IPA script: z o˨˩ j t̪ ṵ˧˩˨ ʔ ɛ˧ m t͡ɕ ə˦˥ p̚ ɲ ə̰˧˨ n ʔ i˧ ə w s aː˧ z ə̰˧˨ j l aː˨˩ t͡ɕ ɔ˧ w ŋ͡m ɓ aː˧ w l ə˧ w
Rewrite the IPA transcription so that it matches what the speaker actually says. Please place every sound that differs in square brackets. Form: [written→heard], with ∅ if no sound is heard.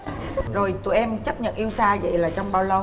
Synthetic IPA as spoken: z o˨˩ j t̪ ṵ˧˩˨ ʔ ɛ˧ m t͡ɕ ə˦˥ p̚ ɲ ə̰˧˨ n ʔ i˧ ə w s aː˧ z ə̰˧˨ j l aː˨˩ t͡ɕ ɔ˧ w ŋ͡m ɓ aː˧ w l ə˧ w